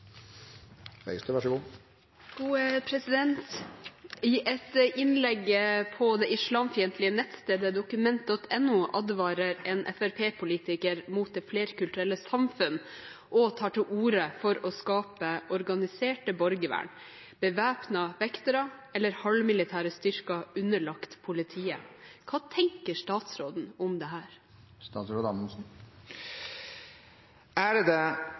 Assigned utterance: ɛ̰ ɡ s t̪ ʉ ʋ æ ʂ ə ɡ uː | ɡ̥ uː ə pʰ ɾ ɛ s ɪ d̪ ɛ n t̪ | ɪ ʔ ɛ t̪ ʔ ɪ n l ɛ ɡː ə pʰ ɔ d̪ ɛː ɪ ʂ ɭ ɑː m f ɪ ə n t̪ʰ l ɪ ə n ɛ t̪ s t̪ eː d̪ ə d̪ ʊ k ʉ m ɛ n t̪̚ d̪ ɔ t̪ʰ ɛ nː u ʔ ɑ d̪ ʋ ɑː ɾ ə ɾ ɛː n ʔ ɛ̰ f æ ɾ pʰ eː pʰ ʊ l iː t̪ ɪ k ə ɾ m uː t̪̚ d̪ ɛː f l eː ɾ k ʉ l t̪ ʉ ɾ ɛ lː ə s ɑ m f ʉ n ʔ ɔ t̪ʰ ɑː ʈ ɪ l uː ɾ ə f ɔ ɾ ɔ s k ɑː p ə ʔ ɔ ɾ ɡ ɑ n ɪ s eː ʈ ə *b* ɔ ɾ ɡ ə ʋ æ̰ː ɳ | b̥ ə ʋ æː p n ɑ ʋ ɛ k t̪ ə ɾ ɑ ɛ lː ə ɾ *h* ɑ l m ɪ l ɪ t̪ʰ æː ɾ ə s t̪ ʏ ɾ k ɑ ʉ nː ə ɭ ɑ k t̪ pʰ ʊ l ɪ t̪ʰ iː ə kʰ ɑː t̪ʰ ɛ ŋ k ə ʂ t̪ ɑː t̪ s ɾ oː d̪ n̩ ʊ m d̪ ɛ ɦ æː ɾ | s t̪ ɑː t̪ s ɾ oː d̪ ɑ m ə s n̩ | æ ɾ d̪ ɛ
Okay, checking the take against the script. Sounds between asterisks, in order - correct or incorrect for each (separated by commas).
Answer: correct, correct